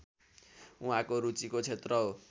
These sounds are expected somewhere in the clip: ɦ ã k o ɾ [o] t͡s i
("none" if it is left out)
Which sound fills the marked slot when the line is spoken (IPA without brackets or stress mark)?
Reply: u